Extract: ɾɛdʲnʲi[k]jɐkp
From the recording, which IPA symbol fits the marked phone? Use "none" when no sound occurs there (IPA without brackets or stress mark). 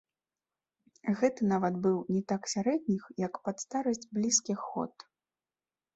x